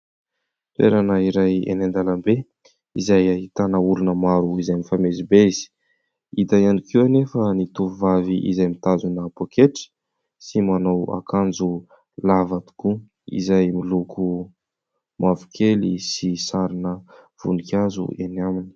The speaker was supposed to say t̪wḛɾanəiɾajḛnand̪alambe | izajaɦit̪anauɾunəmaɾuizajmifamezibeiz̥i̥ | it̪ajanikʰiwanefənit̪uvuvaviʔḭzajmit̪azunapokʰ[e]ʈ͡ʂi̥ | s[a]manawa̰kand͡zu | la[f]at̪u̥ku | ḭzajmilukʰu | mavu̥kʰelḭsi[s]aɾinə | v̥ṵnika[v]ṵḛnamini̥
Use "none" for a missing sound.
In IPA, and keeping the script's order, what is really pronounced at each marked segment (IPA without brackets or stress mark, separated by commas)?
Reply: e, i, v, s, z